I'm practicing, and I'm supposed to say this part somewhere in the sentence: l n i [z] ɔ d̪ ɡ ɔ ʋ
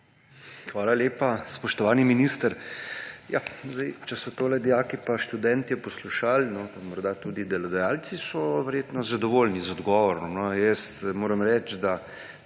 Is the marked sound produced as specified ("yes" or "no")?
yes